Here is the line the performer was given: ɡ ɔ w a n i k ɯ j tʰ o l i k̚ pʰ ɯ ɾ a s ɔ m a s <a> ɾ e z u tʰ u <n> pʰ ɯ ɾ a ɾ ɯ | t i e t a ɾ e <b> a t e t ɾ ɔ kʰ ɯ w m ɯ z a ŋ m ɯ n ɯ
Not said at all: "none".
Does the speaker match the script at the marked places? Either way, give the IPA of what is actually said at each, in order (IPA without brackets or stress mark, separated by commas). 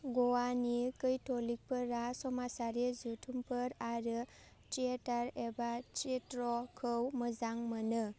a, m, b